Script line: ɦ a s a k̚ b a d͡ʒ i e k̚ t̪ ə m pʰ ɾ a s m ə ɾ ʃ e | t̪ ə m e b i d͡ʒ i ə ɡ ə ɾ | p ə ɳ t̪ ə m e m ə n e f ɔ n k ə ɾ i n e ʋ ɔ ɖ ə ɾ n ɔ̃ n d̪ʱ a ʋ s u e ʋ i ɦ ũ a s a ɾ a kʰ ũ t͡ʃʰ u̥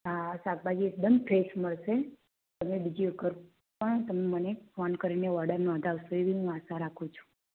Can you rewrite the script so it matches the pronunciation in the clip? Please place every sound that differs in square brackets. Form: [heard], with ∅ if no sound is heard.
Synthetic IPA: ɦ a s a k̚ b a d͡ʒ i e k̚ [d̪] ə m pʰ ɾ [e] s m ə [ɭ] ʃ e | t̪ ə m e b i d͡ʒ i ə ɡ ə ɾ | p ə ɳ t̪ ə m e m ə n e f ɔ n k ə ɾ i n e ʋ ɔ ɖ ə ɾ n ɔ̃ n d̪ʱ a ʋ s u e ʋ i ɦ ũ a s a ɾ a kʰ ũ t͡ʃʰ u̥